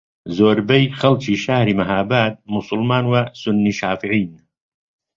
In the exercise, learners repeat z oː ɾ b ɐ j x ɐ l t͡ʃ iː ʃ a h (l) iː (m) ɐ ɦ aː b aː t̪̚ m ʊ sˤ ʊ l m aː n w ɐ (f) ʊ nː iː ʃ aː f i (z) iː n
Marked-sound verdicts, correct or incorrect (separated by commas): incorrect, correct, incorrect, incorrect